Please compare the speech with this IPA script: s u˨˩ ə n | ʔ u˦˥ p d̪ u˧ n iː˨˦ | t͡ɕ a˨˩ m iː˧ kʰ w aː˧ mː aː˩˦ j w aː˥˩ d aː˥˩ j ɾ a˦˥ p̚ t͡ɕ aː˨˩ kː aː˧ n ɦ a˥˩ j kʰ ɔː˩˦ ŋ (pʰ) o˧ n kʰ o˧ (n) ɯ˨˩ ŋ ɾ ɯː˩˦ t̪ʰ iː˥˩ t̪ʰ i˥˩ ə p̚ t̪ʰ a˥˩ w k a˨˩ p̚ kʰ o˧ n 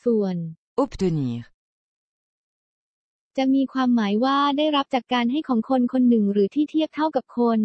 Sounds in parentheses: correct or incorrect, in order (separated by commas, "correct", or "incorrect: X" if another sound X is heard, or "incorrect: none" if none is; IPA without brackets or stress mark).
incorrect: kʰ, incorrect: nː